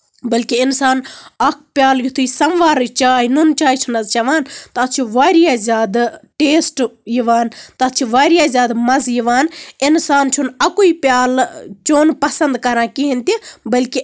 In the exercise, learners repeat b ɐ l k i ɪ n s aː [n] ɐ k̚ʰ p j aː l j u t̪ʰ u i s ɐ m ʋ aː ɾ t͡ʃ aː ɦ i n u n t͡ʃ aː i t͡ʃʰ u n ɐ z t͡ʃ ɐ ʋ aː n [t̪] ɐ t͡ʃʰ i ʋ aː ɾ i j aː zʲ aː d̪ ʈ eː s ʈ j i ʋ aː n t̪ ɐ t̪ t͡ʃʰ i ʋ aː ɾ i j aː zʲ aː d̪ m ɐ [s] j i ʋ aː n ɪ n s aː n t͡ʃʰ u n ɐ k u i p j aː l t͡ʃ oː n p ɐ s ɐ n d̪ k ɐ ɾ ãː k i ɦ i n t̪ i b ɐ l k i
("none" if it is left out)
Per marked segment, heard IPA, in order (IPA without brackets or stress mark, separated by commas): n, t̪, z